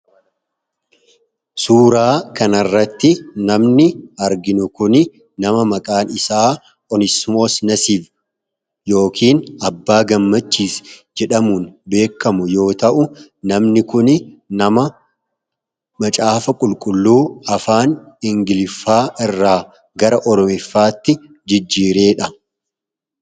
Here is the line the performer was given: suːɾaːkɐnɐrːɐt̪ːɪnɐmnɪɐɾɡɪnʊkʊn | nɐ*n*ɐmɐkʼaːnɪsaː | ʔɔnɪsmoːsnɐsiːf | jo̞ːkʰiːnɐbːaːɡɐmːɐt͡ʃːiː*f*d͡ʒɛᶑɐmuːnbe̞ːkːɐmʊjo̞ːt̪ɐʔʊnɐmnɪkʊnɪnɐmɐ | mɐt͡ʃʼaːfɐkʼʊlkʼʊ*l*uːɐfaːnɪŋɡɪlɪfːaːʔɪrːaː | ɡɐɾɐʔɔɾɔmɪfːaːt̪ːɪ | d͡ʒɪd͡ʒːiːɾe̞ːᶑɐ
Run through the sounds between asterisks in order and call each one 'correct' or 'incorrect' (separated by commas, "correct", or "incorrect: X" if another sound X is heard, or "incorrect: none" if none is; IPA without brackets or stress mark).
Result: incorrect: m, incorrect: s, incorrect: lː